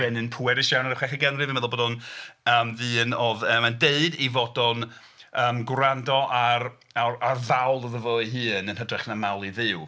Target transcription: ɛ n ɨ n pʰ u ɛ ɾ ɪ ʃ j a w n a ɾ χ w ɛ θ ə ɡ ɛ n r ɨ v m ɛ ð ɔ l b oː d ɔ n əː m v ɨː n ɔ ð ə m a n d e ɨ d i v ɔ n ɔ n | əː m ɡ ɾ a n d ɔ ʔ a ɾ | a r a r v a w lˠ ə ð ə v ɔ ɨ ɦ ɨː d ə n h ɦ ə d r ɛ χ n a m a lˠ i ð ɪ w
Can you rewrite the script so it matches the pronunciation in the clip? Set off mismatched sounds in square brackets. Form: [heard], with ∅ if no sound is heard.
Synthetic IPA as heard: ɛ n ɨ n pʰ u ɛ ɾ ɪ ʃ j a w n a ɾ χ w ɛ [χ] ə ɡ ɛ n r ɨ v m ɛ ð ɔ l b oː d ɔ n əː m v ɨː n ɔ ð ə m a n d e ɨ d i v ɔ [d] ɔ n | əː m ɡ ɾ a n d ɔ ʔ a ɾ | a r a r v a w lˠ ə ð ə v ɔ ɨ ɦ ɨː [n] ə n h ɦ ə d r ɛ χ n a m a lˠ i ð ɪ w